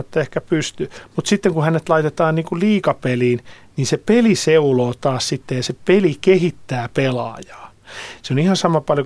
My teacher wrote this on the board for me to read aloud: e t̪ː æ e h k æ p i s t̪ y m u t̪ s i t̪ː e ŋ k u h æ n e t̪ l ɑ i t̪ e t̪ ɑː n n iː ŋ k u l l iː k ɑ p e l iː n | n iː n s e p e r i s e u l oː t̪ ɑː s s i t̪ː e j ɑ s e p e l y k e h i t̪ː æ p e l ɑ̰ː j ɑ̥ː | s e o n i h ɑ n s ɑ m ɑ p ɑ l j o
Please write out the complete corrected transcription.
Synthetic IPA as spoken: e t̪ː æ e h k æ p y s t̪ y m u t̪ s i t̪ː e ŋ k u h æ n e t̪ l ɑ i t̪ e t̪ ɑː n n iː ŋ k u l l iː k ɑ p e l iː n | n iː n s e p e l i s e u l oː t̪ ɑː s s i t̪ː e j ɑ s e p e l i k e h i t̪ː æː p e l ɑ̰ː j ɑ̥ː | s e o n i h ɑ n s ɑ m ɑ p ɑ l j o